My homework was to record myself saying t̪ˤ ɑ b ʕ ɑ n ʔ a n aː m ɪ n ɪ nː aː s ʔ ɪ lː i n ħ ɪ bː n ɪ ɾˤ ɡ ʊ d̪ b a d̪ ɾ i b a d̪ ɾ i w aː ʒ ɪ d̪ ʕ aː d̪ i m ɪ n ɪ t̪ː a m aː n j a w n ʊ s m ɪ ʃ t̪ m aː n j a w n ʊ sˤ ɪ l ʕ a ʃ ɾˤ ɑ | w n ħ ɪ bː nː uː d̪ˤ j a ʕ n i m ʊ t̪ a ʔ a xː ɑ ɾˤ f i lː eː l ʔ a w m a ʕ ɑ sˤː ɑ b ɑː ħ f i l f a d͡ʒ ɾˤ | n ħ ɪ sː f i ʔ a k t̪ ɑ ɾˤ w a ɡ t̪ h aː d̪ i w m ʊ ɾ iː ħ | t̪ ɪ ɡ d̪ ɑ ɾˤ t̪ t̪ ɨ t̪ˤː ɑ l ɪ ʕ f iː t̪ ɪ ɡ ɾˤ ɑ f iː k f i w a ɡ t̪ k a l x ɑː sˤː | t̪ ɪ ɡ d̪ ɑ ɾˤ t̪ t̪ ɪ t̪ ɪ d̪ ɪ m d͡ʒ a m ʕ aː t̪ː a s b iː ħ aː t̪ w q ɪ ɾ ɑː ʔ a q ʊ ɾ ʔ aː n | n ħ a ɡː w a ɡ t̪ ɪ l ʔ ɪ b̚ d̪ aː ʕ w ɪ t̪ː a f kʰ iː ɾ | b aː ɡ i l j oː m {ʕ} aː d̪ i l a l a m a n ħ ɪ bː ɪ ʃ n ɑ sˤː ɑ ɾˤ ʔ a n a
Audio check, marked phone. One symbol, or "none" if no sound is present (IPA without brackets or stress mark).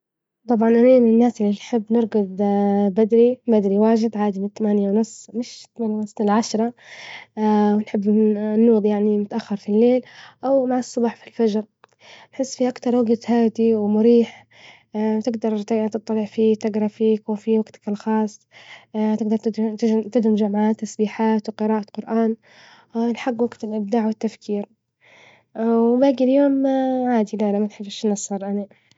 ʕ